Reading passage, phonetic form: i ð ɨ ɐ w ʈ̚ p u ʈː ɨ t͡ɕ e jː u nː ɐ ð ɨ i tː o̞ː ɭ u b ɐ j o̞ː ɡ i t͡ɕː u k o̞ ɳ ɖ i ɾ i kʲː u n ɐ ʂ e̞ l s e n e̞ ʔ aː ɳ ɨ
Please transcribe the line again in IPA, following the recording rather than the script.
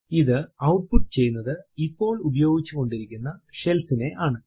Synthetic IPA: i ð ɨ ɐ w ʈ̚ p u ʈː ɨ t͡ɕ e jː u nː ɐ ð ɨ i pː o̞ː ɭ u b ɐ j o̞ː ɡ i t͡ɕː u k o̞ ɳ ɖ i ɾ i kʲː u nː ɐ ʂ e̞ l s i n e̞ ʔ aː ɳ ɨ